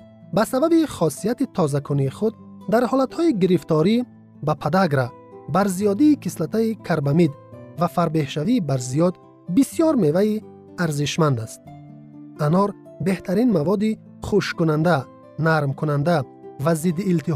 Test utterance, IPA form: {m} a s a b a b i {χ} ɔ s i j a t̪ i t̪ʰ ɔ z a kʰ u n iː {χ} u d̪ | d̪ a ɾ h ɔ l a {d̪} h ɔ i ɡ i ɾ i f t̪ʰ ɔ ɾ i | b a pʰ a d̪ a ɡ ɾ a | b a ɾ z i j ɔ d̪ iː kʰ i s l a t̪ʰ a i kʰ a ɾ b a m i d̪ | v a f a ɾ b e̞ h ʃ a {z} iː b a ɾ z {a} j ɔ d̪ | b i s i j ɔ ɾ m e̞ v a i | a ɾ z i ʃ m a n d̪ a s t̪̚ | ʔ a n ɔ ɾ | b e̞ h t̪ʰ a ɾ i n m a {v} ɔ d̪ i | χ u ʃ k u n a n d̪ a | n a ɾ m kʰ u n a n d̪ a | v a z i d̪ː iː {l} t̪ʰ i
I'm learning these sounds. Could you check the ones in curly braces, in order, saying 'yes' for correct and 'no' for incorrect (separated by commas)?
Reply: no, yes, yes, no, no, no, yes, yes